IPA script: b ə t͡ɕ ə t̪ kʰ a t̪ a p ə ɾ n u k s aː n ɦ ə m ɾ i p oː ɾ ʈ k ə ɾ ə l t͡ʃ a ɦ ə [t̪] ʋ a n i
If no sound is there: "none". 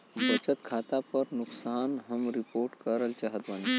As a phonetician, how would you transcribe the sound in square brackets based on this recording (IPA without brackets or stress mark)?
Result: t̪